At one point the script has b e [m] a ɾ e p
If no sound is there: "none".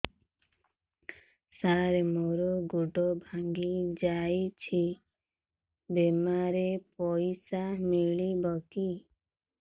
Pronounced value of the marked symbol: m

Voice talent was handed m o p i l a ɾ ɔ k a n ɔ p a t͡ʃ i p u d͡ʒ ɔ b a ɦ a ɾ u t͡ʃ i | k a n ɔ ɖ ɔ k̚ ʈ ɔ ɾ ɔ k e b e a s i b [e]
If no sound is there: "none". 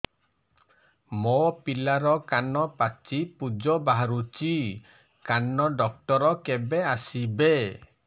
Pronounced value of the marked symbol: e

